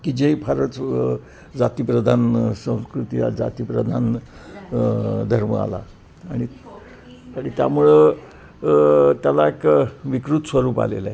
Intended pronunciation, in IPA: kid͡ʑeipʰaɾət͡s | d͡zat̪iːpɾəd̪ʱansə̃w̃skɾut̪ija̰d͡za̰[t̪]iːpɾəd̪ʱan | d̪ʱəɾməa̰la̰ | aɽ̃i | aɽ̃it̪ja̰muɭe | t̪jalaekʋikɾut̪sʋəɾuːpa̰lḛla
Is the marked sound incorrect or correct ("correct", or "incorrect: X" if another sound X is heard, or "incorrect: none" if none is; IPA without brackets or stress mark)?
correct